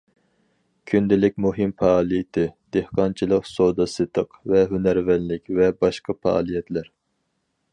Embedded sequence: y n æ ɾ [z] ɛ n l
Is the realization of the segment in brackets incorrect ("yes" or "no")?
yes